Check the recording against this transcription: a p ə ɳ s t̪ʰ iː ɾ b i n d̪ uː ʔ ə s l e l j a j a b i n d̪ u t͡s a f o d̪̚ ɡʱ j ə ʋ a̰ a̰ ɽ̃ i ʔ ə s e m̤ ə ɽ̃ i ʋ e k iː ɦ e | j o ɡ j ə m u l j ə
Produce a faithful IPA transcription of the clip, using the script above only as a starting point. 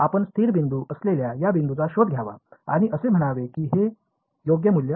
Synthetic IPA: a p ə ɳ s t̪ʰ iː ɾ b i n d̪ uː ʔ ə s l e l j a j a b i n d̪ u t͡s a ɕ o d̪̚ ɡʱ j a ʋ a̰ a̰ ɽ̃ i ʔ ə s e m̤ ə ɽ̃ a ʋ e k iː ɦ e | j o ɡ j ə m u l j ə